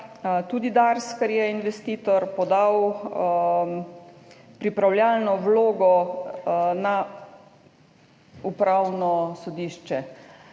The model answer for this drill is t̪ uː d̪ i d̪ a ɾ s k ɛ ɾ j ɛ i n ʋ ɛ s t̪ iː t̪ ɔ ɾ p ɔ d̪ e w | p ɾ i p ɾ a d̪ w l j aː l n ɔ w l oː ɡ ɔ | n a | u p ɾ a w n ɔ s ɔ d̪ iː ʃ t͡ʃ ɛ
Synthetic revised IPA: t̪ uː d̪ i d̪ a ɾ s k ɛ ɾ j ɛ i n ʋ ɛ s t̪ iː t̪ ɔ ɾ p ɔ d̪ a w | p ɾ i p ɾ a w l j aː l n ɔ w l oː ɡ ɔ | n a | u p ɾ a w n ɔ s ɔ d̪ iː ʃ t͡ʃ ɛ